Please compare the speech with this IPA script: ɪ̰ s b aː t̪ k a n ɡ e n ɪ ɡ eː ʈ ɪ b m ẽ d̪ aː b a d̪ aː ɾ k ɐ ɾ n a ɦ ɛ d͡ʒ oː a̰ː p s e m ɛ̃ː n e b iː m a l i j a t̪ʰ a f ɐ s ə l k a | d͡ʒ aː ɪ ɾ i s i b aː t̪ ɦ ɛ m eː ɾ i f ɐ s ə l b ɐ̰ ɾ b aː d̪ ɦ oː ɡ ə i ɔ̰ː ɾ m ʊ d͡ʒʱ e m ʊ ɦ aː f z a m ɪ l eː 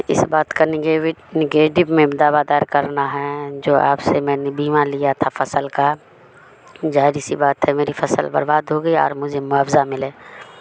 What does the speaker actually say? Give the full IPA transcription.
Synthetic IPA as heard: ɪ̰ s b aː t̪ k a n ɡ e n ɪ ɡ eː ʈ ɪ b m ẽ d̪ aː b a d̪ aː ɾ k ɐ ɾ n a ɦ ɛ d͡ʒ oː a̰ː p s e m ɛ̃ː n e b iː m a l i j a t̪ʰ a f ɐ s ə l k a | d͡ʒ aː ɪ ɾ i s i b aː t̪ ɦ ɛ m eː ɾ i f ɐ s ə l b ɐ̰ ɾ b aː d̪ ɦ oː ɡ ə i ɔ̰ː ɾ m ʊ d͡ʒʱ e m ʊ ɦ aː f z a m ɪ l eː